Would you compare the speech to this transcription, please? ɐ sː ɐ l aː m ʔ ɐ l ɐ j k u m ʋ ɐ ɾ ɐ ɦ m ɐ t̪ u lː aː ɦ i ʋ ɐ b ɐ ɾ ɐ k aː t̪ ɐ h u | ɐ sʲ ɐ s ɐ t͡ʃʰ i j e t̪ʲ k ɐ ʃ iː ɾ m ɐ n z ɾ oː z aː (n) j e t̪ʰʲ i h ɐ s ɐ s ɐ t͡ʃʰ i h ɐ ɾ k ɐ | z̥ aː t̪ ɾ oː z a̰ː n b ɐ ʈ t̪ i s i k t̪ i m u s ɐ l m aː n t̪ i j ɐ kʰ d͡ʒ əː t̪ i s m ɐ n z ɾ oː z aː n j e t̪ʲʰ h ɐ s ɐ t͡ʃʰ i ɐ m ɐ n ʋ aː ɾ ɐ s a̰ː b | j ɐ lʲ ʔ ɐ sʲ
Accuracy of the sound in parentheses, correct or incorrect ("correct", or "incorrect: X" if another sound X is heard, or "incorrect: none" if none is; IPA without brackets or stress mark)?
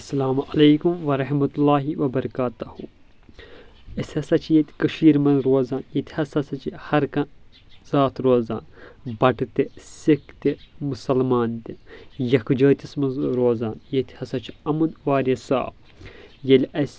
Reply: correct